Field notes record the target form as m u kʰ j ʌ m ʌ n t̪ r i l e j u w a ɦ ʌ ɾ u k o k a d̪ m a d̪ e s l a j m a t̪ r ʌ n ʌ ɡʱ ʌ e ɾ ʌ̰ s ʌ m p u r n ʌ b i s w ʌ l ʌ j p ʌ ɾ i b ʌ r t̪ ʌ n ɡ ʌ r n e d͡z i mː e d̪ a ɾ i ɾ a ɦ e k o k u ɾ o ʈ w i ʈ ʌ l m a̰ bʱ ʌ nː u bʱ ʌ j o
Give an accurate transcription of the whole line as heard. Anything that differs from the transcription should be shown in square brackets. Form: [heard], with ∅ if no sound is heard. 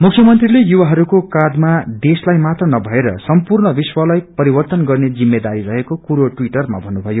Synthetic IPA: m u kʰ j ʌ m ʌ n t̪ r i l e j u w a ɦ ʌ ɾ u k o k a d̪ m a d̪ e s l a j m a t̪ r ʌ n ʌ [bʱ] ʌ e ɾ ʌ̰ s ʌ m p u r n ʌ b i s w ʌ l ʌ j p ʌ ɾ i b ʌ r t̪ ʌ n ɡ ʌ r n e d͡z i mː e d̪ a ɾ i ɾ [ʌ] ɦ e k o k u ɾ o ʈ w i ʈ ʌ [r] m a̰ bʱ ʌ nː u bʱ ʌ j o